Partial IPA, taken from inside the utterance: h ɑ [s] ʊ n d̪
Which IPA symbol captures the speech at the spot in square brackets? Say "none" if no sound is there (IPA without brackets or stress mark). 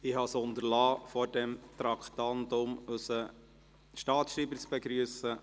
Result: s